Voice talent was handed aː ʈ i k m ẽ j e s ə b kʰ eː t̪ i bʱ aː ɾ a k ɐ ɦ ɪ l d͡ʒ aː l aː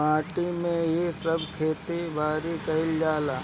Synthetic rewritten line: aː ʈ i m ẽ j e s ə b kʰ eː t̪ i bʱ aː ɾ i k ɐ ɦ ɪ l d͡ʒ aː l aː